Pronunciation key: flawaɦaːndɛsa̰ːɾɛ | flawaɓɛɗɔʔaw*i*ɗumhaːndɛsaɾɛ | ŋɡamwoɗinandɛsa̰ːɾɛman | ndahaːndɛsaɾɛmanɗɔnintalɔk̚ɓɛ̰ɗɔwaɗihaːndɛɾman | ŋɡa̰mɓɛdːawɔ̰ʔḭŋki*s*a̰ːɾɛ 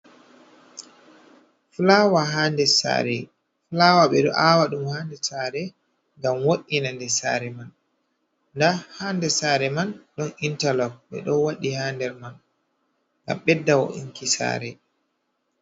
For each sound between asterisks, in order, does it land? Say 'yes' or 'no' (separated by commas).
no, yes